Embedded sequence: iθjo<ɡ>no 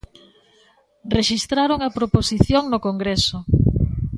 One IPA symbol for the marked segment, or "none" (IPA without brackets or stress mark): ŋ